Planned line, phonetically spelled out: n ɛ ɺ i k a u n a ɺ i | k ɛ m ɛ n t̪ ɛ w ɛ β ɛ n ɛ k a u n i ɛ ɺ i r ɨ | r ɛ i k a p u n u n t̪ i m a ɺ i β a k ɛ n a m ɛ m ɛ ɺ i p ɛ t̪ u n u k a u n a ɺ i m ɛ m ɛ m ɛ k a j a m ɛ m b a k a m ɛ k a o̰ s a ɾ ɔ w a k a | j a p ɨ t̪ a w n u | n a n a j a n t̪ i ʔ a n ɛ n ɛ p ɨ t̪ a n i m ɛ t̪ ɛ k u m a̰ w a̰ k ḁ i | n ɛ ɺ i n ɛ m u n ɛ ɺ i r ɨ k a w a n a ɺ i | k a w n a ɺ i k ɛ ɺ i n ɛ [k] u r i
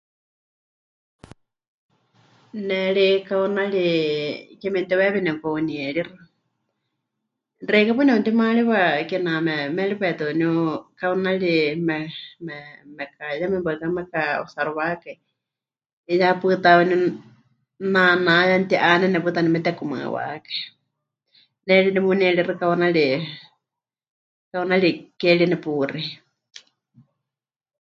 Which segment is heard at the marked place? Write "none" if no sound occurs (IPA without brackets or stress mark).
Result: p